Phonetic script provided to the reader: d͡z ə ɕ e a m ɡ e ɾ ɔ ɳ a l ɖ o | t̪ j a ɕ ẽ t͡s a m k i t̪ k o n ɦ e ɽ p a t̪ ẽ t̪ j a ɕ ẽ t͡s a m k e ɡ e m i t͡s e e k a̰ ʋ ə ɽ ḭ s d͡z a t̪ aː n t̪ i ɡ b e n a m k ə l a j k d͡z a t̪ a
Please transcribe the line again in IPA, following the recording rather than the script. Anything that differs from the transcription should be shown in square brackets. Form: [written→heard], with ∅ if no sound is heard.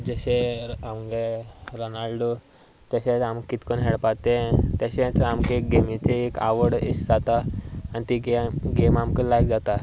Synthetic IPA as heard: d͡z ə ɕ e a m ɡ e ɾ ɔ [ɳ→n] a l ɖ o | t̪ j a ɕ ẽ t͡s a m k i t̪ k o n ɦ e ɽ p a t̪ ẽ t̪ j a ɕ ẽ t͡s a m k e ɡ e m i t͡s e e k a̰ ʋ ə ɽ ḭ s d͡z a t̪ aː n t̪ i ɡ [b→ɡ] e [n→m] a m k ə l a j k d͡z a t̪ a